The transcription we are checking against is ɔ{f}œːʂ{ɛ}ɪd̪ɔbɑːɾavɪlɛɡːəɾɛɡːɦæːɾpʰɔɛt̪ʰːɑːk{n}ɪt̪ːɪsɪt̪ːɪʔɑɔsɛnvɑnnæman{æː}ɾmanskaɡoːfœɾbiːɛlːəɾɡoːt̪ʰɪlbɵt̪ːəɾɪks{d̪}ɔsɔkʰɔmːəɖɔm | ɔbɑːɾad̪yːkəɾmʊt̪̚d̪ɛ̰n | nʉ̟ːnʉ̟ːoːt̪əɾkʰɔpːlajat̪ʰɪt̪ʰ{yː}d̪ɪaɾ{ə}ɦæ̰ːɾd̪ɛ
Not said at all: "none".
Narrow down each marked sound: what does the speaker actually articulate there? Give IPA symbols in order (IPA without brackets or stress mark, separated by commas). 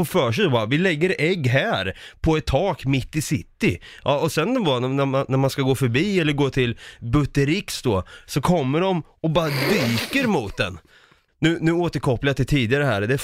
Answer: f, ɛ, m, æ, d̪, iː, ə